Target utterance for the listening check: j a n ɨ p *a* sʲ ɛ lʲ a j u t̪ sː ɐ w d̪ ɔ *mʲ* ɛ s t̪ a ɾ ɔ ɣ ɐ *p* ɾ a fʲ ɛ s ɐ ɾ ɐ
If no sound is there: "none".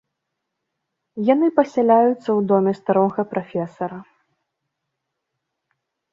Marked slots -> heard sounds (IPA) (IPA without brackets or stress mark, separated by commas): ɐ, mʲ, p